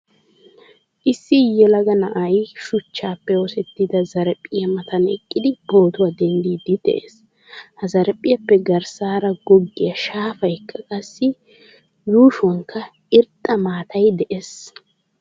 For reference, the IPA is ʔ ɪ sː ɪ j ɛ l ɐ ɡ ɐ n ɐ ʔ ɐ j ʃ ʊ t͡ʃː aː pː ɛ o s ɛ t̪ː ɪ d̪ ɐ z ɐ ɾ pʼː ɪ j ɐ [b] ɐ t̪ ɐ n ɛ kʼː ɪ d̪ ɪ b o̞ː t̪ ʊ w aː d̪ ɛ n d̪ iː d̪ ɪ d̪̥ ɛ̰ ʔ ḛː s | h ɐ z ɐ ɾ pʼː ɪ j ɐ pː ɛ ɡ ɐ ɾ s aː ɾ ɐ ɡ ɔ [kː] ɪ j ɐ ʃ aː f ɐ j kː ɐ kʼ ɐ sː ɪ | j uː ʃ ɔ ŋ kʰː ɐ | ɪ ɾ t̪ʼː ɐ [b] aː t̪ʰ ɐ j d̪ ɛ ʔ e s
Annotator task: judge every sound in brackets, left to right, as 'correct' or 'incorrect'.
incorrect, incorrect, incorrect

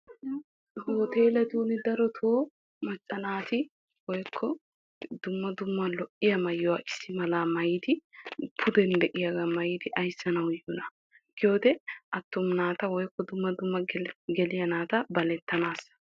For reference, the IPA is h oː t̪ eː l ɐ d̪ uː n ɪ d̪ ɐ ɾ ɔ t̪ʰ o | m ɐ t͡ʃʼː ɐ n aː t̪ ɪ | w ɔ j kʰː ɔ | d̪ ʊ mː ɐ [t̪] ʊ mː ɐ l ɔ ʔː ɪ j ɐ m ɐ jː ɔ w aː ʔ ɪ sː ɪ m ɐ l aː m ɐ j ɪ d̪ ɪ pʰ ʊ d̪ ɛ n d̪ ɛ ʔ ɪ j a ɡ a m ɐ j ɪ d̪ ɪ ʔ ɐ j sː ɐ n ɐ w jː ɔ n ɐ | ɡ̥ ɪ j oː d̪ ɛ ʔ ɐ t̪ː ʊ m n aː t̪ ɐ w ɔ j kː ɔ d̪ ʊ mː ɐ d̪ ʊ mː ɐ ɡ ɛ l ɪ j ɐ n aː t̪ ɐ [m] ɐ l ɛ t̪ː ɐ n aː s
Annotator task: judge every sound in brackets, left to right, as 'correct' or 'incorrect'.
incorrect, incorrect

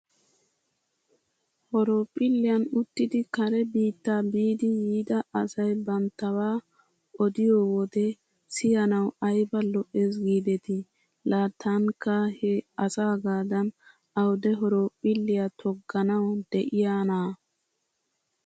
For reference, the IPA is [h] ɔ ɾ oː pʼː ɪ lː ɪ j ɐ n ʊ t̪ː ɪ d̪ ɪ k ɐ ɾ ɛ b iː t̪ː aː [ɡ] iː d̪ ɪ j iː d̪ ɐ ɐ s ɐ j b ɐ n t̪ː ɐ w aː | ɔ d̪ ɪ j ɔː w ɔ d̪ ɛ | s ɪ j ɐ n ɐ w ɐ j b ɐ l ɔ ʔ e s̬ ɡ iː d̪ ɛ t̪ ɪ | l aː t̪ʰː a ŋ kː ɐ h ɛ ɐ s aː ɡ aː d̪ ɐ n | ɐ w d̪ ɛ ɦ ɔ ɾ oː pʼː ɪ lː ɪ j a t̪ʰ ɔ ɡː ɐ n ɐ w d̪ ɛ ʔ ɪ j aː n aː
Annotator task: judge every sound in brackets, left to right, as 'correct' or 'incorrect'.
correct, incorrect

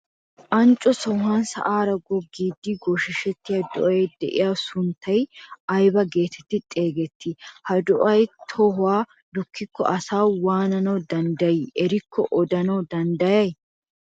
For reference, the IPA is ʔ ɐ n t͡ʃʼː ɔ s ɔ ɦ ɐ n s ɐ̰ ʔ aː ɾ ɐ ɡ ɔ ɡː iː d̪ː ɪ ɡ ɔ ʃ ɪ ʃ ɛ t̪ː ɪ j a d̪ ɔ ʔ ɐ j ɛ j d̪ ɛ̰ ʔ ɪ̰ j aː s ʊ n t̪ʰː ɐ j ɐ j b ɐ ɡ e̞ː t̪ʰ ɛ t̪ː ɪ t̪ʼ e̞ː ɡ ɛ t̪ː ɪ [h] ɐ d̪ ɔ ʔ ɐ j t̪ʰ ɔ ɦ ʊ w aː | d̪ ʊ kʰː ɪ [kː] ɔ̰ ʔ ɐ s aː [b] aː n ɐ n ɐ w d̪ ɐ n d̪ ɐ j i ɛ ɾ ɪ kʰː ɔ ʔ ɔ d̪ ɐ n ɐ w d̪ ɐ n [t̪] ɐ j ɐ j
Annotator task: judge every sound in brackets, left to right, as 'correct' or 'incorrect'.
correct, correct, incorrect, incorrect

